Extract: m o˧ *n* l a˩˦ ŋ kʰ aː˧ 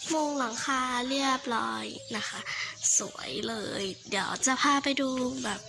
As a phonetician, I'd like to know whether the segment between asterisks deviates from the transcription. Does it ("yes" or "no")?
yes